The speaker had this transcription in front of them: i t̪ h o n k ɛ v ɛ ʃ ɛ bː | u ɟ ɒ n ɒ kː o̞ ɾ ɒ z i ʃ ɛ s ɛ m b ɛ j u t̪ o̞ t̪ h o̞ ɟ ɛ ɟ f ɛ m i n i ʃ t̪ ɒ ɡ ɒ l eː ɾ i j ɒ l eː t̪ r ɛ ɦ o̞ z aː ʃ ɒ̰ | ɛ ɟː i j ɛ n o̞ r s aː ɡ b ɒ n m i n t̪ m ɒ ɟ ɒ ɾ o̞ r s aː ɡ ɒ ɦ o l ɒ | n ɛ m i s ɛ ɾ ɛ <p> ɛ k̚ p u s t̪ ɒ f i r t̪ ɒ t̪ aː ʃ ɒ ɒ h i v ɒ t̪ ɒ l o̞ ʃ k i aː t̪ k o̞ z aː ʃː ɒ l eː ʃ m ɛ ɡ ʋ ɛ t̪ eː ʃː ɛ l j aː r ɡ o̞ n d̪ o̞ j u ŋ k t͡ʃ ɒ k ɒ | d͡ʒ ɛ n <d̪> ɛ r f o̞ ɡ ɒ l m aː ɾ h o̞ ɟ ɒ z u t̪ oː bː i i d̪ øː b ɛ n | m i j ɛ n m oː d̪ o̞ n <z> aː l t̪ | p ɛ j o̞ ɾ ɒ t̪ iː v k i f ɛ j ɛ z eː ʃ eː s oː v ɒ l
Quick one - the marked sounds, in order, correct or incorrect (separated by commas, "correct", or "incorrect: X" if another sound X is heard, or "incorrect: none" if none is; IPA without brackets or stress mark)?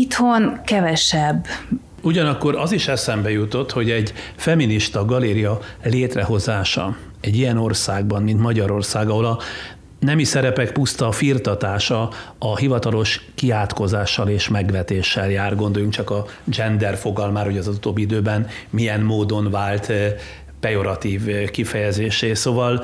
correct, correct, incorrect: v